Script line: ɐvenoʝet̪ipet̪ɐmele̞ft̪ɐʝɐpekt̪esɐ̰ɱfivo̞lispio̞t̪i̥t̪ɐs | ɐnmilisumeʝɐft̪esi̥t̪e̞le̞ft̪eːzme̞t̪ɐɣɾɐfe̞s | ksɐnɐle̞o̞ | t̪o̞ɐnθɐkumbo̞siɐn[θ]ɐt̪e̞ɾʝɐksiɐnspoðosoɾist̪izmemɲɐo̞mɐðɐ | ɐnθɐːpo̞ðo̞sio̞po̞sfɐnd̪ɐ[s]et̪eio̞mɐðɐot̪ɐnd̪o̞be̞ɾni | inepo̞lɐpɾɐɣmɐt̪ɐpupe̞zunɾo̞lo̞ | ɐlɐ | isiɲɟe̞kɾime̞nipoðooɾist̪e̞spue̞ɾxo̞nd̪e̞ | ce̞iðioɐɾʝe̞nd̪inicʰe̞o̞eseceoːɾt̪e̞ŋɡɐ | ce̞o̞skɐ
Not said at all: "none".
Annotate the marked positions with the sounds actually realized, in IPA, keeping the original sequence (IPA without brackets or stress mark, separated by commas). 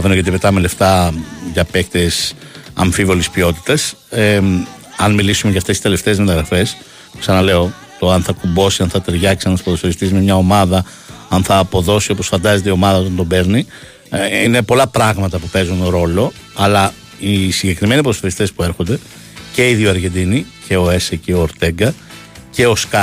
θ, z